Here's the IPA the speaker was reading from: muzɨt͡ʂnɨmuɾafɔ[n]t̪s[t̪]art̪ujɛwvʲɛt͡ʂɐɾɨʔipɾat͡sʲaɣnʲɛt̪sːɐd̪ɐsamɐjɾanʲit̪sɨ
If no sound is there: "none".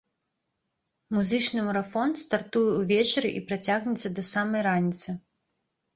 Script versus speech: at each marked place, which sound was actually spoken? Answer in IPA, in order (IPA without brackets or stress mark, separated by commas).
n, t̪